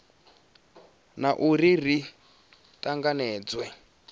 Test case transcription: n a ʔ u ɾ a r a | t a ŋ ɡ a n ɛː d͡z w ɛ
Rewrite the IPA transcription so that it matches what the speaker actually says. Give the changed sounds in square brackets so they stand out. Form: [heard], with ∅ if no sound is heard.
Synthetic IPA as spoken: n a ʔ u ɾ [i] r [i] | t a ŋ ɡ a n ɛː d͡z w ɛ